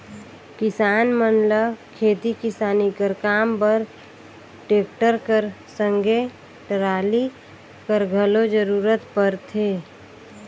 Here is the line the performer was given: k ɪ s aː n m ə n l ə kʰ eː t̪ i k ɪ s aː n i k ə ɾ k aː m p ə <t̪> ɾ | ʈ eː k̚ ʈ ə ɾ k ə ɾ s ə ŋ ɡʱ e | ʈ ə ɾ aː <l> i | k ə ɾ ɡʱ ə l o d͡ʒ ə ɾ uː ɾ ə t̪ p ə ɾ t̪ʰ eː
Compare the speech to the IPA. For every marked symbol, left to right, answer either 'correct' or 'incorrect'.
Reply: incorrect: none, correct

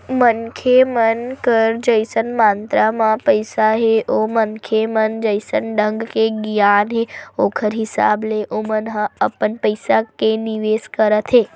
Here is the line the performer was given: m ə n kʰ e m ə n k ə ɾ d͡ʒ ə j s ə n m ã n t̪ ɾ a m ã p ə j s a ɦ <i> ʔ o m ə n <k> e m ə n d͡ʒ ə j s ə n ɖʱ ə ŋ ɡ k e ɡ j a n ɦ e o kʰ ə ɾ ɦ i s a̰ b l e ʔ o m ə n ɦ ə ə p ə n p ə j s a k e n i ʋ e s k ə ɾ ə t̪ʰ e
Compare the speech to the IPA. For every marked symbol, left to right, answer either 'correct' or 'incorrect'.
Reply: incorrect: e, incorrect: kʰ

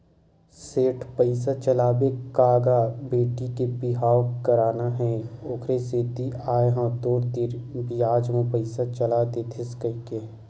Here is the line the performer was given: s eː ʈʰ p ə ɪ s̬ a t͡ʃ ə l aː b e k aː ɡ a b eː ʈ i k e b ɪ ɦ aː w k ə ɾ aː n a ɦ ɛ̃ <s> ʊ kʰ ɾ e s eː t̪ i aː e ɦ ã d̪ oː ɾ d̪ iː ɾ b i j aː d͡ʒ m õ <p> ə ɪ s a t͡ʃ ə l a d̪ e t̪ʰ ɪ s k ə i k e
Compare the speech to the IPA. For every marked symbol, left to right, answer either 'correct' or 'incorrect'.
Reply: incorrect: none, correct

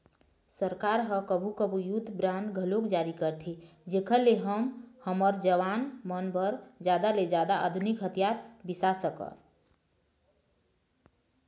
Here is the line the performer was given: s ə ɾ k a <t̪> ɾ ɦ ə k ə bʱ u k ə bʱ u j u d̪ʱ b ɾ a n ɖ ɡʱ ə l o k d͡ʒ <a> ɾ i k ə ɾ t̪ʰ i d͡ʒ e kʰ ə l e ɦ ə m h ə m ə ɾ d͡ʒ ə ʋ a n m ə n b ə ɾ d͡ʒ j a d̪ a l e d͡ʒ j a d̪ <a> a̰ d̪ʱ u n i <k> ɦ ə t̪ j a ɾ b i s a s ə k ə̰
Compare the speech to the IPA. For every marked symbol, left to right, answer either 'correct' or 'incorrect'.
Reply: incorrect: none, correct, correct, correct

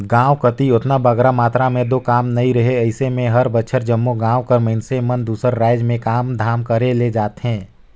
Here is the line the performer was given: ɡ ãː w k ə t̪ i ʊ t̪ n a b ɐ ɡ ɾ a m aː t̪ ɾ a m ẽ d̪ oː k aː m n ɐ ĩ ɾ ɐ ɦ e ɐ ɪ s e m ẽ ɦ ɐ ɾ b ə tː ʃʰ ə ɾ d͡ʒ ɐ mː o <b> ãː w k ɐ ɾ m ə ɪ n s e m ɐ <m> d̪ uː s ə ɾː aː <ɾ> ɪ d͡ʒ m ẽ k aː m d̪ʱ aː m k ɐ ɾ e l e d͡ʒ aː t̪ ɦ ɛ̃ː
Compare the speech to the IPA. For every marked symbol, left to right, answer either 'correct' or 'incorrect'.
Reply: incorrect: ɡ, incorrect: n, incorrect: none

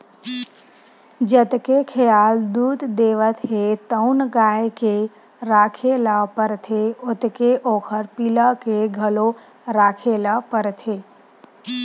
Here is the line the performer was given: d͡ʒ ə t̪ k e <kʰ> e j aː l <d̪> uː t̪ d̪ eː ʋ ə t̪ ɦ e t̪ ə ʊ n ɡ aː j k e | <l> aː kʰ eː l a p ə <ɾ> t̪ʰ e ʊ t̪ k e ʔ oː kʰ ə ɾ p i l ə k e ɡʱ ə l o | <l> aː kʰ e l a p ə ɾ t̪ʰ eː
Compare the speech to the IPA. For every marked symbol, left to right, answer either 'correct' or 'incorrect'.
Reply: correct, correct, incorrect: ɾ, correct, incorrect: ɾ

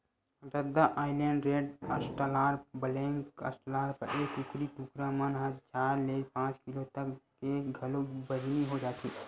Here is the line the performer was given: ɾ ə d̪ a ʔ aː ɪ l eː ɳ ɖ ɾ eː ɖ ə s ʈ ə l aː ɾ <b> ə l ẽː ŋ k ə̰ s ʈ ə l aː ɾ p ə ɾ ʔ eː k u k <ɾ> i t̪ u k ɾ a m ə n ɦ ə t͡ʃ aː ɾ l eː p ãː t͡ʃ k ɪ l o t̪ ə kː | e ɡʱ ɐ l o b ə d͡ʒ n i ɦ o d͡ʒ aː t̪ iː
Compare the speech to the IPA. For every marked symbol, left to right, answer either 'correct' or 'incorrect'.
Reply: correct, correct

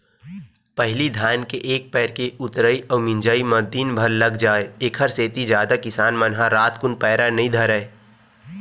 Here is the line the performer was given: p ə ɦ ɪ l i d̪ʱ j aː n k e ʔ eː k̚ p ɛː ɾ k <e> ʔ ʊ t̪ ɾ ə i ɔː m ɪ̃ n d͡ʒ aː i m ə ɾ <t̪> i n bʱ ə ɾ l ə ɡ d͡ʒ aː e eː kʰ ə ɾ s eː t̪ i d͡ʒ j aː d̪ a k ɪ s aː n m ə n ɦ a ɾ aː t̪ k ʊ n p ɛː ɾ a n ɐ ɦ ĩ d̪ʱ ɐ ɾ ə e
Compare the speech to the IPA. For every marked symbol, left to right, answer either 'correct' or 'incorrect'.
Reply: correct, incorrect: d̪

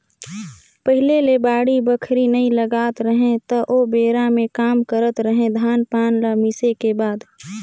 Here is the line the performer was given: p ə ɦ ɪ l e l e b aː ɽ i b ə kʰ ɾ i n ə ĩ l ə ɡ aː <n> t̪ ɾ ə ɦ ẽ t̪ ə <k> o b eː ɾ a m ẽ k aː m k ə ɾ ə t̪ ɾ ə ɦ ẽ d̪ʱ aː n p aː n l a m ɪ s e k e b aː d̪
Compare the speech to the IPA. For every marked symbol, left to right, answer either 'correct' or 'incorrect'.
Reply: incorrect: none, incorrect: ʔ

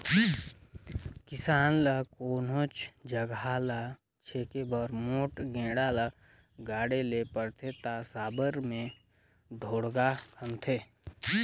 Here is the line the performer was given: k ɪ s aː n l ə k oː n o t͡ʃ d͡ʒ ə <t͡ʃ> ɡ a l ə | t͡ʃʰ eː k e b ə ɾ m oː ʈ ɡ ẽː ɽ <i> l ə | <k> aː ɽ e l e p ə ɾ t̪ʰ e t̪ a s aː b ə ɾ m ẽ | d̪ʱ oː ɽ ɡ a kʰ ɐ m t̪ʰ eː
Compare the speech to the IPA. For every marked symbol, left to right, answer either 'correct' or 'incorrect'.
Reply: incorrect: none, incorrect: a, incorrect: ɡ

